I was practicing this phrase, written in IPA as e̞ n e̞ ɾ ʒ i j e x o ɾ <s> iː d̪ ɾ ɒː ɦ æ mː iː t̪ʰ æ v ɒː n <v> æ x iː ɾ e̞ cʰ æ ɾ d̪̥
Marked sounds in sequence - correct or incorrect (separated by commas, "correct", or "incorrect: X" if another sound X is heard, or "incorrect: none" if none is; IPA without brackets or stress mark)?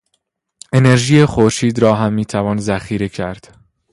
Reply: incorrect: ʃ, incorrect: z